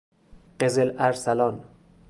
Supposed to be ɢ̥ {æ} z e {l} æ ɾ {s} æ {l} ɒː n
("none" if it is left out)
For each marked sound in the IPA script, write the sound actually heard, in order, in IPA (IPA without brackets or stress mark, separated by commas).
e, l, s, l